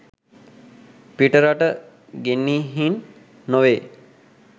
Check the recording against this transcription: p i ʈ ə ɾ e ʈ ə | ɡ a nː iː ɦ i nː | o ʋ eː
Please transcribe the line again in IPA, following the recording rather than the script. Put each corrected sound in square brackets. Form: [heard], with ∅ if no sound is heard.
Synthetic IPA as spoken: p i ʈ ə ɾ [a] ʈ ə | ɡ [e] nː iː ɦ i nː | o ʋ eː